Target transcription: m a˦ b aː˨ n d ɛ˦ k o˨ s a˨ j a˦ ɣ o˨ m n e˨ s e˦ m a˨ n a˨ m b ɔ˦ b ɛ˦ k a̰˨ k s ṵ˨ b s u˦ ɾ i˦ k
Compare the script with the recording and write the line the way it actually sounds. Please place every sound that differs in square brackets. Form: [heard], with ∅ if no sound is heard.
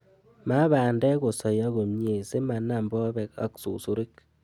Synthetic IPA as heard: m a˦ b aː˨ n d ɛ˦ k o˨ s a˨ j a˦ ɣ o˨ m [ɲ] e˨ s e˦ m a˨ n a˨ m b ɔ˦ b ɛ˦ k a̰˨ k s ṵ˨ [∅] s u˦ ɾ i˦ k